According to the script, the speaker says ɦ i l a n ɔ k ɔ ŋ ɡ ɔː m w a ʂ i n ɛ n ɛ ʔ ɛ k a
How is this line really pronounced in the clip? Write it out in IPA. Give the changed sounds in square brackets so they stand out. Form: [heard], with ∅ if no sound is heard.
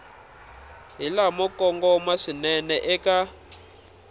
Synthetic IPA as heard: ɦ i l a [m] ɔ k ɔ ŋ ɡ [ɔ] m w a ʂ i n ɛ n ɛ ʔ ɛ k a